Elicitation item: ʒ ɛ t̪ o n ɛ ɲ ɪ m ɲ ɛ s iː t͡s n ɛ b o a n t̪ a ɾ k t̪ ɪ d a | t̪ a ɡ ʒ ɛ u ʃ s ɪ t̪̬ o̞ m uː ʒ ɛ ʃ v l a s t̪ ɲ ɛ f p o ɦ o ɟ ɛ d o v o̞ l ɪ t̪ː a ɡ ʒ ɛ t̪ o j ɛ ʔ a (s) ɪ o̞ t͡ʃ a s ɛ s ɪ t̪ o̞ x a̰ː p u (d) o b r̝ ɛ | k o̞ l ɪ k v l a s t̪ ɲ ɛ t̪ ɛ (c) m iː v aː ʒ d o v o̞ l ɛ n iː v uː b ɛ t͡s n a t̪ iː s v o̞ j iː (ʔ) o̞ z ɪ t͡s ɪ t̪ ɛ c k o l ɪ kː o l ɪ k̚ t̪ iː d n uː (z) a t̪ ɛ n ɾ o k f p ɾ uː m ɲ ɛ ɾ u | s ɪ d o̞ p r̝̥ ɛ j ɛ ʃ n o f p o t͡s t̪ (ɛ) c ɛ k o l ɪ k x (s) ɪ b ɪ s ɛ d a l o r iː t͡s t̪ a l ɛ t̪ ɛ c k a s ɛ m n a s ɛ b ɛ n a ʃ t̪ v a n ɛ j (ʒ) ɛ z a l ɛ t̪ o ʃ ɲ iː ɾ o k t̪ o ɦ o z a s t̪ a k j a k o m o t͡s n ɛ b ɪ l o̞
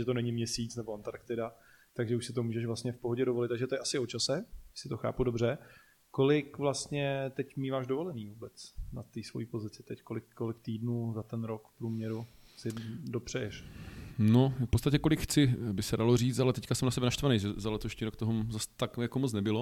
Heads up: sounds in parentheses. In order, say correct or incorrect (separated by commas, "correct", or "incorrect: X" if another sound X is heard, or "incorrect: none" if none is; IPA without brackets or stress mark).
correct, correct, correct, incorrect: p, correct, incorrect: a, incorrect: t͡s, correct